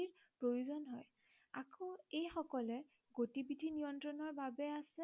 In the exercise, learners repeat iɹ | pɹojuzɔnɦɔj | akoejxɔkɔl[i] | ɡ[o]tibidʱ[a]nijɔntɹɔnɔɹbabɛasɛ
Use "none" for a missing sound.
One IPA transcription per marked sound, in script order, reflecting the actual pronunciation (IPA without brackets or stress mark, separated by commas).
ɛ, o, i